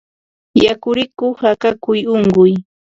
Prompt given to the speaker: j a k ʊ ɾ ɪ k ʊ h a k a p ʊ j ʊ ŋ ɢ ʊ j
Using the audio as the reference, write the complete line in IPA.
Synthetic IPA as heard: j a k ʊ ɾ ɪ k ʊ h a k a k ʊ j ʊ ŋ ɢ ʊ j